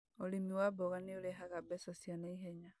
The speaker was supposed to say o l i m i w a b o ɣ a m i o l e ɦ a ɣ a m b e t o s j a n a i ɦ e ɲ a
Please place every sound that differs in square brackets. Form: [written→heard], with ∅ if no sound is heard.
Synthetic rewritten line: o l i m i w a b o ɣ a [m→n] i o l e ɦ a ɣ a [m→∅] b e [t→s] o s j a n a i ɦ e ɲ a